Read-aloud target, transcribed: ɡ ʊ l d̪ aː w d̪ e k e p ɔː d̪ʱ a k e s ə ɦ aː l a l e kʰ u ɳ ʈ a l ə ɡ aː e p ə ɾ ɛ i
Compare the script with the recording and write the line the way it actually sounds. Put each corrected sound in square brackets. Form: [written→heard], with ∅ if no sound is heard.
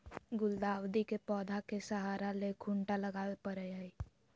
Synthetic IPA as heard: ɡ ʊ l d̪ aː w d̪ [e→i] k e p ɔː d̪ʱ a k e s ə ɦ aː [l→ɾ] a l e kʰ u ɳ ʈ a l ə ɡ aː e p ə ɾ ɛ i